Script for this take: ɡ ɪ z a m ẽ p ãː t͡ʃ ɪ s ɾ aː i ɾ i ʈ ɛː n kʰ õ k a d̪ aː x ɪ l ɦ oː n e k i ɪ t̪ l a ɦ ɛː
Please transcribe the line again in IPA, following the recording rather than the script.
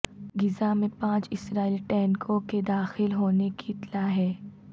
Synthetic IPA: ɡ ɪ z a m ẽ p ãː t͡ʃ ɪ s ɾ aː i l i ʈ ɛː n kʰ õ k e d̪ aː x ɪ l ɦ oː n e k i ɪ t̪ l a ɦ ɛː